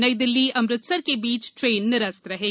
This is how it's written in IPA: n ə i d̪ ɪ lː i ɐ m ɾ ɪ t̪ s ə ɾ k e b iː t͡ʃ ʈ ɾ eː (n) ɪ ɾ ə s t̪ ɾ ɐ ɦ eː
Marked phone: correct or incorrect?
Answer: incorrect